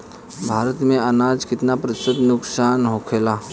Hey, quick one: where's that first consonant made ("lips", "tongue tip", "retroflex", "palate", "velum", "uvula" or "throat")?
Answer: lips